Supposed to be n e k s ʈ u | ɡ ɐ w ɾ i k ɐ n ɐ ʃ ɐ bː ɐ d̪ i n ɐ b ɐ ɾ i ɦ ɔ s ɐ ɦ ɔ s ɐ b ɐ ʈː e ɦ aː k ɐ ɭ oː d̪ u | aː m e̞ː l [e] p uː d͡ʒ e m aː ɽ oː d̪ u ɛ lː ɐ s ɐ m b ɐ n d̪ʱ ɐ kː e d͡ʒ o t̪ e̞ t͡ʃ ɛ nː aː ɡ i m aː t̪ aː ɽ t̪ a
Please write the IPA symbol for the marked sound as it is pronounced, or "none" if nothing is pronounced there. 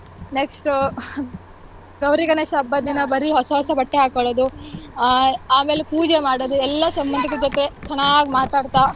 e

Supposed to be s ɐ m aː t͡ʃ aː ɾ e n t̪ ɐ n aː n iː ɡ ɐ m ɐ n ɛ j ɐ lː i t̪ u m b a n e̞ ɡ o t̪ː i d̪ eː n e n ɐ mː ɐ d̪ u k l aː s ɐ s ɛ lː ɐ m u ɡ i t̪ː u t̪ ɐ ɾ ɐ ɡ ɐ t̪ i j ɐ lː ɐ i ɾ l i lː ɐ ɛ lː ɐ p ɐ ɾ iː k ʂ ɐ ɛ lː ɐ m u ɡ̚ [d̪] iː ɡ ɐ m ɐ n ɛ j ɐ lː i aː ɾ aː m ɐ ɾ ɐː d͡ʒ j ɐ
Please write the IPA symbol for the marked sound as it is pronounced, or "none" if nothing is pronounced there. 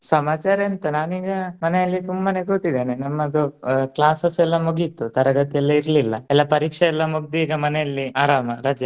d̪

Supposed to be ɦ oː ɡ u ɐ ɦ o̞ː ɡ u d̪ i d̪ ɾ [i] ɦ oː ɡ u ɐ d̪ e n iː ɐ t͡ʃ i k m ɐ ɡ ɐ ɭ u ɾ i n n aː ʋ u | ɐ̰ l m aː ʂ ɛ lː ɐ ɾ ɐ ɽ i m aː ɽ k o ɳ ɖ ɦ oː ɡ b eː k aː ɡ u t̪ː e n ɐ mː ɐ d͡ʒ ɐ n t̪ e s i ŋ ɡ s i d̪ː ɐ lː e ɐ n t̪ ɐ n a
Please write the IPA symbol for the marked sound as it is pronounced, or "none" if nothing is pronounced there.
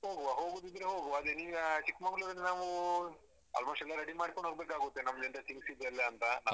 e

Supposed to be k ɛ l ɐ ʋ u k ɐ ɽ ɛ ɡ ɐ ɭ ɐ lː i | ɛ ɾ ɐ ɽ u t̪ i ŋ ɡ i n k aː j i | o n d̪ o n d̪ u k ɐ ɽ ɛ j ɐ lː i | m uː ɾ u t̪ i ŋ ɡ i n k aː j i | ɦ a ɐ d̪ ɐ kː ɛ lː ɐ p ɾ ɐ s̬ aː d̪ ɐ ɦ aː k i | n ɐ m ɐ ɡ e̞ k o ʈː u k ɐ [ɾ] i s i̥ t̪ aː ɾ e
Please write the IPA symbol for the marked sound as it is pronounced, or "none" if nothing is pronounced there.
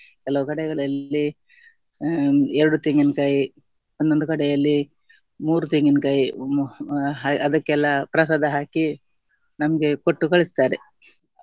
ɭ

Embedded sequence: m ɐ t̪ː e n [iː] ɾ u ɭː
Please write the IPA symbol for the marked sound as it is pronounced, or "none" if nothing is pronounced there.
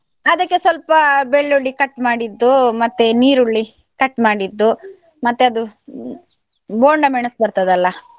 iː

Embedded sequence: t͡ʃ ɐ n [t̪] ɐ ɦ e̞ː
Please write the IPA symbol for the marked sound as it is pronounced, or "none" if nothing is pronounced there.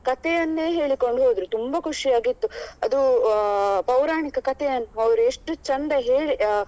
d̪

